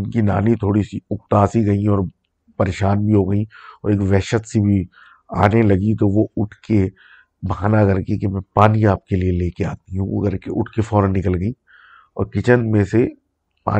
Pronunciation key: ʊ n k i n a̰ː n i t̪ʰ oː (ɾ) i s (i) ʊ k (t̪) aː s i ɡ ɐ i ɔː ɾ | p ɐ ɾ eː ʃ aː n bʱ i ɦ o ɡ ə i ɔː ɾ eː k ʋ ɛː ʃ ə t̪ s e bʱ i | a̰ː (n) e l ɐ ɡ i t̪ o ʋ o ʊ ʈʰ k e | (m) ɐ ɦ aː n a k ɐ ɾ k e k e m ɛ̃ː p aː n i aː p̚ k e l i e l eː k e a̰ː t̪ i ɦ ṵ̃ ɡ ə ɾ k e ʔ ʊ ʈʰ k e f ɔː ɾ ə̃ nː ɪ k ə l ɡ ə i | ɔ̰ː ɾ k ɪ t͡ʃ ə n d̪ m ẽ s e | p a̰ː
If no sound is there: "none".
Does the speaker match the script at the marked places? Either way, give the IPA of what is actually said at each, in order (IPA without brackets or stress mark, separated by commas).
ɽ, i, t̪, n, b